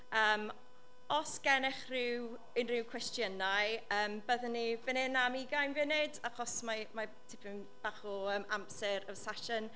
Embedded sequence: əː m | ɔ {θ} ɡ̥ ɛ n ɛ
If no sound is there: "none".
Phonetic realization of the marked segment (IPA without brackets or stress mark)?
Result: s